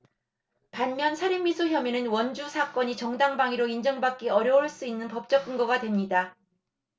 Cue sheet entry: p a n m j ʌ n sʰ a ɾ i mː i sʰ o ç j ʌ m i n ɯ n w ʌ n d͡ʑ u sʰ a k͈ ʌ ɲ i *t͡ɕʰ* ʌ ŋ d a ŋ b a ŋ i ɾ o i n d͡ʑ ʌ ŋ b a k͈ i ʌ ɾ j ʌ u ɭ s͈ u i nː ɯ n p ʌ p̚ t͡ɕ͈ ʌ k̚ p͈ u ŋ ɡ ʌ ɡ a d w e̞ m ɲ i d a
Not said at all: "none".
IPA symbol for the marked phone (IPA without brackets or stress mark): t͡ɕ